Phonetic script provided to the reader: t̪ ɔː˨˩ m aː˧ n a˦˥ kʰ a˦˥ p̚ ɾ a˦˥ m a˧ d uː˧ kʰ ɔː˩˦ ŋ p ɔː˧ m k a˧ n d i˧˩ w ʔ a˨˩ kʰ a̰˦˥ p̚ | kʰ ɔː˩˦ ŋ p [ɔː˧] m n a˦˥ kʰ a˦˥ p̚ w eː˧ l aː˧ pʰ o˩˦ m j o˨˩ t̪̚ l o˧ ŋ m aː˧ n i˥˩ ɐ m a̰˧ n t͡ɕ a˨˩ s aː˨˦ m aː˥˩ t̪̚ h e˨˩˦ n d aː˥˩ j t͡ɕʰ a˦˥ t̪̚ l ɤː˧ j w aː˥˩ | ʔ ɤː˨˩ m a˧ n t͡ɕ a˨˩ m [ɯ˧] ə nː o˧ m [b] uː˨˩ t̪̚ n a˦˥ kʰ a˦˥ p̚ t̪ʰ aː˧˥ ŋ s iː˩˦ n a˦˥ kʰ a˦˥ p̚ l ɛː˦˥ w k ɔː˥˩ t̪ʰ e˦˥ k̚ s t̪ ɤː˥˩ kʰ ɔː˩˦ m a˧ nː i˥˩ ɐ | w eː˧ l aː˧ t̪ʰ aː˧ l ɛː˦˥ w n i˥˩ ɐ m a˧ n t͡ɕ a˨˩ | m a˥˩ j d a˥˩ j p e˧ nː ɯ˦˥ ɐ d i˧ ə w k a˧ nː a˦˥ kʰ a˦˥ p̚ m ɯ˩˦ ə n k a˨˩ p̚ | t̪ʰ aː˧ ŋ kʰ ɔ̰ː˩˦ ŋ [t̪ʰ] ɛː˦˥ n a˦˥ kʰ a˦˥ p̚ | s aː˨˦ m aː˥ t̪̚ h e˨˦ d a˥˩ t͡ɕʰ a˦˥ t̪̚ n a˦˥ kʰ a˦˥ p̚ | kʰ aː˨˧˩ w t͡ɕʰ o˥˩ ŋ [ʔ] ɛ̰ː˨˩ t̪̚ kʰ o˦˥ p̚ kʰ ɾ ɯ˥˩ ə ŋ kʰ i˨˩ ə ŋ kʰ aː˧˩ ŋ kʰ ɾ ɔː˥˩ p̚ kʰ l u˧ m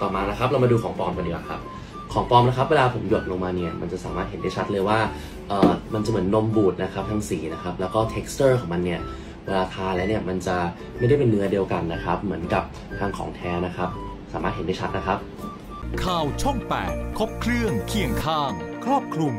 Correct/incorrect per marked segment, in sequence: correct, incorrect: ɯ˩˦, correct, correct, incorrect: p

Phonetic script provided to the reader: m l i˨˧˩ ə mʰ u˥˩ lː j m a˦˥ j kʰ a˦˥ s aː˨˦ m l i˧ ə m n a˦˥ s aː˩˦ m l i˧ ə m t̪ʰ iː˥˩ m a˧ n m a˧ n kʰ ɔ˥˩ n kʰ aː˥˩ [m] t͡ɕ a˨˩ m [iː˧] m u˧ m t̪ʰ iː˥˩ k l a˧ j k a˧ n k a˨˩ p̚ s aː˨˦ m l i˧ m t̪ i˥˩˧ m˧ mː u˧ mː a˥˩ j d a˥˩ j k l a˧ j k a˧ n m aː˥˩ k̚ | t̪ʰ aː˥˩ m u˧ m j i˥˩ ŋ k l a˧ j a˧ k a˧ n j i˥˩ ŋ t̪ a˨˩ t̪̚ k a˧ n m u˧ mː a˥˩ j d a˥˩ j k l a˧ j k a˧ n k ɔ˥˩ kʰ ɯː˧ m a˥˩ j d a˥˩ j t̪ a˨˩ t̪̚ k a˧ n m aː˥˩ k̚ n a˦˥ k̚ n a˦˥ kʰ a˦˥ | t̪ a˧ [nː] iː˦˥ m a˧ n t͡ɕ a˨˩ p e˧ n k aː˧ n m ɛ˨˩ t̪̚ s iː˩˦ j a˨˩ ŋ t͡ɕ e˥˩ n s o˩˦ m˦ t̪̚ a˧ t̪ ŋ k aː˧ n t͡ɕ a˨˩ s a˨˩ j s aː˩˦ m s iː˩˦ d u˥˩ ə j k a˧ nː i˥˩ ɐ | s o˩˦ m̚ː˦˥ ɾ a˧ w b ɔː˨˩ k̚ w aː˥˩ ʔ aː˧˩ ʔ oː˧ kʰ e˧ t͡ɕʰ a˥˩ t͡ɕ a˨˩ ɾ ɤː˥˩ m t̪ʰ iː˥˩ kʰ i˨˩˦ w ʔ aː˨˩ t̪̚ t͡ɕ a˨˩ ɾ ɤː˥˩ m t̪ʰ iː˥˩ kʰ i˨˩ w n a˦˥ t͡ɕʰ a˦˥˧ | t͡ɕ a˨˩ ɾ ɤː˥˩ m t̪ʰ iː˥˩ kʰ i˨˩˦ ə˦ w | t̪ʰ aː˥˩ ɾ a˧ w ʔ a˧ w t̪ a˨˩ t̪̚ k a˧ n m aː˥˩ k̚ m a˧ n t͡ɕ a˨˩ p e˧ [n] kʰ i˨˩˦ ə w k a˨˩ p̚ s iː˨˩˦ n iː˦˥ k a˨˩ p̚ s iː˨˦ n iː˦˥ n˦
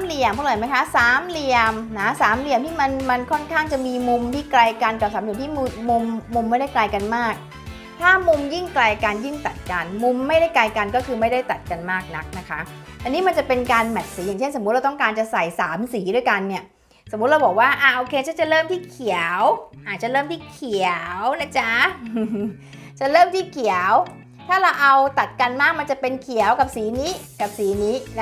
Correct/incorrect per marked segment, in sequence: incorrect: ŋ, correct, incorrect: n, correct

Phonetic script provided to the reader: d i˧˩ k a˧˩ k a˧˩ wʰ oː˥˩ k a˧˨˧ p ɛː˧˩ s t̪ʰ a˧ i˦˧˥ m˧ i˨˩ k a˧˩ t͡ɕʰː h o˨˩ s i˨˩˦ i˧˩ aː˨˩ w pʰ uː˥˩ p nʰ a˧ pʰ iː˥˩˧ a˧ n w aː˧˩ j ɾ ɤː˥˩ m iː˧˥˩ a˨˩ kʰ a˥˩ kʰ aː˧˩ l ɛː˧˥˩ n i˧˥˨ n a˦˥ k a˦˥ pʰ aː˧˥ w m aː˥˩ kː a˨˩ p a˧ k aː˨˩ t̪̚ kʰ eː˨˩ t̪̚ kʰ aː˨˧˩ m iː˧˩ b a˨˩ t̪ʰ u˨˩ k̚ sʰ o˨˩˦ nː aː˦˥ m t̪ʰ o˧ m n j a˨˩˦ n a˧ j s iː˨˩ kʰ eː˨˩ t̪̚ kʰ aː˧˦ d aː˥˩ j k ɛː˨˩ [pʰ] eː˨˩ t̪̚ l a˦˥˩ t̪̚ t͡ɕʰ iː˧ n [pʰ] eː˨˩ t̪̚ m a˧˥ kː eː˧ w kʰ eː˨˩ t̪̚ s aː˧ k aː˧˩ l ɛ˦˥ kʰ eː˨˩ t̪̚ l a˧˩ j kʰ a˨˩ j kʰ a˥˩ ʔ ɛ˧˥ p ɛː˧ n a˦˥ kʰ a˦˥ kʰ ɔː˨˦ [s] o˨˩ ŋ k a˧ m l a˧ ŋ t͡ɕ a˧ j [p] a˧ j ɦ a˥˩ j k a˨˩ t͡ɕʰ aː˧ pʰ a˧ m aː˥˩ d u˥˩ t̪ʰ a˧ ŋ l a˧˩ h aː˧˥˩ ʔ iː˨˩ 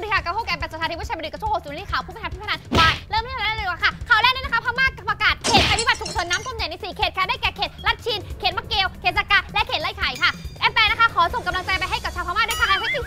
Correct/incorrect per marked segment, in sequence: incorrect: kʰ, incorrect: kʰ, correct, correct

